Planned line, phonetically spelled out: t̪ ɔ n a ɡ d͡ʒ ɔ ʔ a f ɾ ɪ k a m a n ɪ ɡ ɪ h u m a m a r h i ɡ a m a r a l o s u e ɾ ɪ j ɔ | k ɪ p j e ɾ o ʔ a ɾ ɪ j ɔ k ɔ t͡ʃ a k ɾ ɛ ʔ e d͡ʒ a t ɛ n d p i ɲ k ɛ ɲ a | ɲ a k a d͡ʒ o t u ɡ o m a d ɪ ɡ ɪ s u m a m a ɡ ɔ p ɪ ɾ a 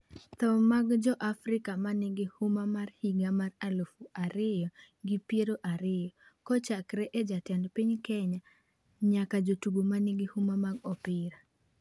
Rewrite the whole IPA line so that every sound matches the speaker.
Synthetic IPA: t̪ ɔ m a ɡ d͡ʒ ɔ ʔ a f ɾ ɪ k a m a n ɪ ɡ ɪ h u m a m a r h i ɡ a m a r a l o f u a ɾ ɪ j ɔ | ɡ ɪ p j e ɾ o ʔ a ɾ ɪ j ɔ k ɔ t͡ʃ a k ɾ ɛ ʔ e d͡ʒ a t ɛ n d p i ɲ k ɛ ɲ a | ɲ a k a d͡ʒ o t u ɡ o m a n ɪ ɡ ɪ h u m a m a ɡ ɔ p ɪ ɾ a